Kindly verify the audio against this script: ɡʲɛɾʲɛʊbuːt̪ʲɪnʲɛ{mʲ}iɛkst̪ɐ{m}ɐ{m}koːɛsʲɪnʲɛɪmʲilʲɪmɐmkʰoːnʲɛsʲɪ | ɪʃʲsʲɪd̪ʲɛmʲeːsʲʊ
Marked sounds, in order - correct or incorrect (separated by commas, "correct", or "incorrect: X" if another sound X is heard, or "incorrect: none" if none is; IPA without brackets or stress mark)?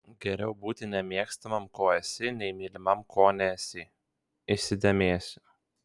correct, correct, correct